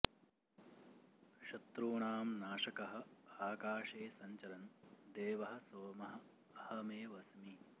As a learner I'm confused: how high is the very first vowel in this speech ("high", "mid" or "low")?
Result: low